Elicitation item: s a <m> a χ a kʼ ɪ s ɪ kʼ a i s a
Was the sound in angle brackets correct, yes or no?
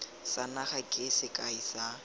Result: no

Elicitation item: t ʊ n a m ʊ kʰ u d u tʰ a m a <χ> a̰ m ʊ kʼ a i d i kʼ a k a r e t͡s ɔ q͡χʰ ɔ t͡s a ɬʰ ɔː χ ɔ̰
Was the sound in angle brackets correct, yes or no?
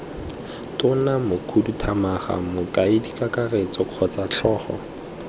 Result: yes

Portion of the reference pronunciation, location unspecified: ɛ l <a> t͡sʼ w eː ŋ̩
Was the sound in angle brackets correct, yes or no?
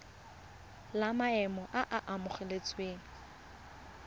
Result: no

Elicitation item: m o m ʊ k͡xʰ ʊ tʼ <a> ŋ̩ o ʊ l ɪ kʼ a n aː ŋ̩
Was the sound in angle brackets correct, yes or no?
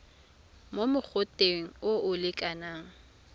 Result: no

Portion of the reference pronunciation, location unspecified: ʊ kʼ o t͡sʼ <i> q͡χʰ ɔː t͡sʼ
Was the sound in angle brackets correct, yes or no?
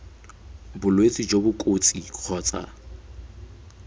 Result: yes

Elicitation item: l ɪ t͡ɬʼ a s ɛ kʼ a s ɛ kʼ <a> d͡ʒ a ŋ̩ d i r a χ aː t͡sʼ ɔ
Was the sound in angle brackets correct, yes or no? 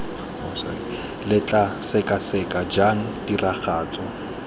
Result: yes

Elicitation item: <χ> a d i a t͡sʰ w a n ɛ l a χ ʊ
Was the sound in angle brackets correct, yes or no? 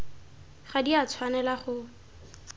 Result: yes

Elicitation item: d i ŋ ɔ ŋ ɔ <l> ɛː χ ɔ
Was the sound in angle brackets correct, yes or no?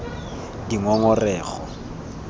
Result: no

